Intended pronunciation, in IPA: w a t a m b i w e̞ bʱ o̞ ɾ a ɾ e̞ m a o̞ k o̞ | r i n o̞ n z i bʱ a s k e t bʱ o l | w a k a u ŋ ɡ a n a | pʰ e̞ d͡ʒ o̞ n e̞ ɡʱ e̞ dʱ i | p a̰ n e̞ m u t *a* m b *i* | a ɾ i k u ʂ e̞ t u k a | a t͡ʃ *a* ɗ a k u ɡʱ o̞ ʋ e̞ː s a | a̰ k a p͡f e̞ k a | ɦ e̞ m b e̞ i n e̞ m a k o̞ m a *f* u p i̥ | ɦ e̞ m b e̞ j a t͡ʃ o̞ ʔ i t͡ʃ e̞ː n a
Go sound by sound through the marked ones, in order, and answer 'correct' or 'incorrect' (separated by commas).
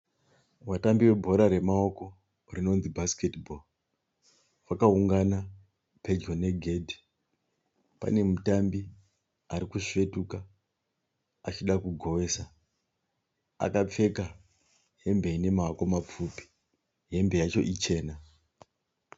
correct, correct, incorrect, incorrect